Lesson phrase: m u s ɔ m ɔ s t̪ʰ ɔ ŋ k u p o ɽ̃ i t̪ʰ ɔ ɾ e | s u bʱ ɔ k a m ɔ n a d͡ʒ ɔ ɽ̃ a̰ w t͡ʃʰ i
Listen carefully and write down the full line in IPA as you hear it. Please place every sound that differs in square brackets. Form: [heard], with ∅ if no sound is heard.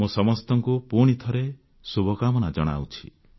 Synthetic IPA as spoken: m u s ɔ m ɔ s [t̪] ɔ ŋ k u p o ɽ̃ i t̪ʰ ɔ ɾ e | s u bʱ ɔ k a m ɔ n a d͡ʒ ɔ ɽ̃ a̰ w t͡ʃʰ i